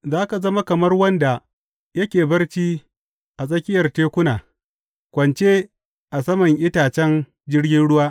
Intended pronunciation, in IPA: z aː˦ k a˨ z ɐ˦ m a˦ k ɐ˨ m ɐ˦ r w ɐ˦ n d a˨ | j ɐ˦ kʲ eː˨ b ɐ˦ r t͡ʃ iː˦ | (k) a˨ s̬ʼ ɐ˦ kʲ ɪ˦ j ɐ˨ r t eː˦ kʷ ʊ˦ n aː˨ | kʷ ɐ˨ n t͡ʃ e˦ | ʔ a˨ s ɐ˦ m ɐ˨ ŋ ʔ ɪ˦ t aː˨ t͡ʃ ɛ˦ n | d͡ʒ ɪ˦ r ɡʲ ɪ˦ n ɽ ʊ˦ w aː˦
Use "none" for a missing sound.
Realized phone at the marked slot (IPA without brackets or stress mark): ʔ